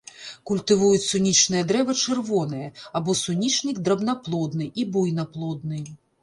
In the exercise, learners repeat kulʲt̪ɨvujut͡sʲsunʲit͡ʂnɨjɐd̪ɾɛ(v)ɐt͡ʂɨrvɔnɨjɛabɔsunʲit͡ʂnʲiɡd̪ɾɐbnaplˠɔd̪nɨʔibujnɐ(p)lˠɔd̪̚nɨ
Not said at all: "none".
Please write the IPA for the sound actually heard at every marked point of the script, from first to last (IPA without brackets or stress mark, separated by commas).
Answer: v, p